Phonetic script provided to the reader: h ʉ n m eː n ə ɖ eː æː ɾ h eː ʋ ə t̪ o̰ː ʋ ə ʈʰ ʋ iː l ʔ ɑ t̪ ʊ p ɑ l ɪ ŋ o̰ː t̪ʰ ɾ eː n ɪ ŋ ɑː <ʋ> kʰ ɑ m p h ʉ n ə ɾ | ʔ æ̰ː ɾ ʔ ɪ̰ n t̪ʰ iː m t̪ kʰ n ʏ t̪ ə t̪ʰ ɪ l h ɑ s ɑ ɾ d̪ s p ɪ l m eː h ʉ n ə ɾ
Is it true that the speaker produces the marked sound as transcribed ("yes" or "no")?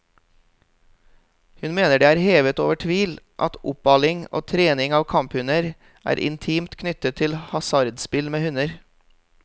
yes